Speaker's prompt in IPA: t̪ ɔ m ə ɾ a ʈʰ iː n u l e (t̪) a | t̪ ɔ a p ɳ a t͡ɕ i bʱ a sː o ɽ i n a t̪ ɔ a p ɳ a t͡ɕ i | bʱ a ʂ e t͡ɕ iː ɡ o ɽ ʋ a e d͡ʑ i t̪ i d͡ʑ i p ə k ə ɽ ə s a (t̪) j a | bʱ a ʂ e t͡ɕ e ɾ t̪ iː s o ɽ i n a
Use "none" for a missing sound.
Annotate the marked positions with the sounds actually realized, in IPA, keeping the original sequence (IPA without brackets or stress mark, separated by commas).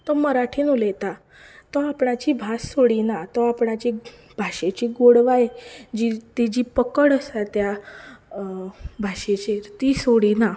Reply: t̪, t̪